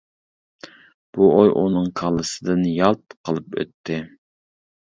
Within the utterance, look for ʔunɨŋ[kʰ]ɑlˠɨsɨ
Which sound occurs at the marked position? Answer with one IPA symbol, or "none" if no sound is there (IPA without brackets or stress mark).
kʰ